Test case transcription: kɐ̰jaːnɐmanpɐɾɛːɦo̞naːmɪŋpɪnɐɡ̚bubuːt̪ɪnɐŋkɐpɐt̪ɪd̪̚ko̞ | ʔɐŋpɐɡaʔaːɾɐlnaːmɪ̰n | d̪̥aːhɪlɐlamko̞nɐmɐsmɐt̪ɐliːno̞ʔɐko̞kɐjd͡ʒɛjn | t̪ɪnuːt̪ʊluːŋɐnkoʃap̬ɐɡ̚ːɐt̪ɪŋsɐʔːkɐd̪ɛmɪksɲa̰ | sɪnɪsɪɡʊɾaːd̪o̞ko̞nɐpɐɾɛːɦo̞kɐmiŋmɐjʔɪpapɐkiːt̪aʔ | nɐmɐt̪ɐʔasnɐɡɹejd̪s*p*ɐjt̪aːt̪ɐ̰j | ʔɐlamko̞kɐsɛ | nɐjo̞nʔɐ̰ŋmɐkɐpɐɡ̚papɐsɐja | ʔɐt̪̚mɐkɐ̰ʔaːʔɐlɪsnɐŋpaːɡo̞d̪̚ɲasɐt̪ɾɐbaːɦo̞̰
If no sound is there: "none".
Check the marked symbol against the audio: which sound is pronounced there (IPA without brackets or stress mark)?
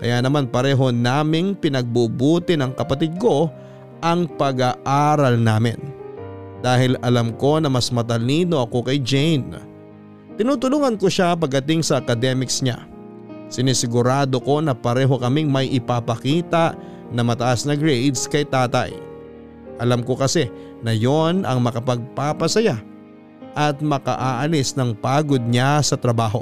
k